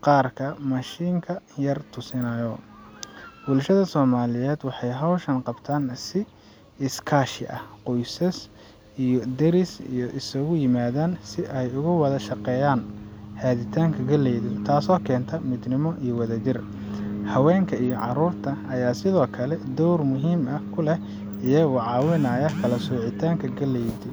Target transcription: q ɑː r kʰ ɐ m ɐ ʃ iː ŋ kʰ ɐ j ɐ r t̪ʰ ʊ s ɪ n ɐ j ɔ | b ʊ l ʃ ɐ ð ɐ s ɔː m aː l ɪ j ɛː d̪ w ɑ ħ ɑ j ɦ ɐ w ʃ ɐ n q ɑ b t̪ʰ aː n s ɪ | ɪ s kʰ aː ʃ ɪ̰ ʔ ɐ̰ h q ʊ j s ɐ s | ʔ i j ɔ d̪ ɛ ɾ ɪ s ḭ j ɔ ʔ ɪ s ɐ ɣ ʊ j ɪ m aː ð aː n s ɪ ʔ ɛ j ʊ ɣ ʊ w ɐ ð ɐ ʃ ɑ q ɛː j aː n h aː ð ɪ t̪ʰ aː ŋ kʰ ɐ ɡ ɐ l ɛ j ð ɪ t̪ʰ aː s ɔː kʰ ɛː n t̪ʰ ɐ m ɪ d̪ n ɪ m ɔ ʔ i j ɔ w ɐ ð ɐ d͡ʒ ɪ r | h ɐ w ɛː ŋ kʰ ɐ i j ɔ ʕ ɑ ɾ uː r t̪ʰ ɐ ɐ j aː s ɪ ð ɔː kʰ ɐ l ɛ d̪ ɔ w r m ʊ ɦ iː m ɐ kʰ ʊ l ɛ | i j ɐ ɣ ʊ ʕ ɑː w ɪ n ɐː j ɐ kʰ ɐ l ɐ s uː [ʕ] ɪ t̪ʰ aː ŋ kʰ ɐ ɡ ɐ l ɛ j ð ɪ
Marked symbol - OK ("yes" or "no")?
yes